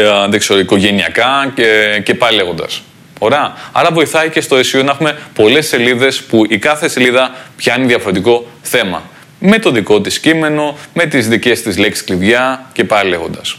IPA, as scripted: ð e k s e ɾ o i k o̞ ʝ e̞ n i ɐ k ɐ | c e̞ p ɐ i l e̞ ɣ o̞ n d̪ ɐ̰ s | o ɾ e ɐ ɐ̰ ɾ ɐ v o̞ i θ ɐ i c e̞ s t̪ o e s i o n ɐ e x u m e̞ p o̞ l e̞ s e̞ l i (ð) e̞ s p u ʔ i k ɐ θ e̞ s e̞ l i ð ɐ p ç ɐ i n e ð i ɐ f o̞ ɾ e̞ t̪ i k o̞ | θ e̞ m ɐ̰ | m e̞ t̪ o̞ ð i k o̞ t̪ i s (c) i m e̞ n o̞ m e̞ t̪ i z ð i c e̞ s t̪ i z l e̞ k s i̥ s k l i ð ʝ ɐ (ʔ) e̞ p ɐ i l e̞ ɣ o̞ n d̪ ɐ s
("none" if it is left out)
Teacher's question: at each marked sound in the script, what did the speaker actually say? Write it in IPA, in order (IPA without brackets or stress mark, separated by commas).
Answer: ð, c, c